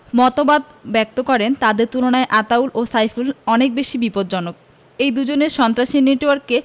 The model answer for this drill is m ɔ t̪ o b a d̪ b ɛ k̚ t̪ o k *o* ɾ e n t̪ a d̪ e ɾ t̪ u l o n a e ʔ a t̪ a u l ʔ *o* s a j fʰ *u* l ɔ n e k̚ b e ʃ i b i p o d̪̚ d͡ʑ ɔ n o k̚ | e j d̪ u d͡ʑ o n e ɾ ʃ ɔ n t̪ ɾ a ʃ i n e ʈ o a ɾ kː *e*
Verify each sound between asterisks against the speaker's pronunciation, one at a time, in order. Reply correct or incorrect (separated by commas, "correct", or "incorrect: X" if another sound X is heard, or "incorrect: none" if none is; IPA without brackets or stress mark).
incorrect: ɔ, correct, correct, correct